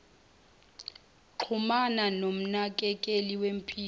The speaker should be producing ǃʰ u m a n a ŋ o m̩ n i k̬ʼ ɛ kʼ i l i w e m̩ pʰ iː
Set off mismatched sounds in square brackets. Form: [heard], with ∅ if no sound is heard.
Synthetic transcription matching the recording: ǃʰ u m a n a [n] o m̩ n [a] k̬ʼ ɛ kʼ [e] l i w e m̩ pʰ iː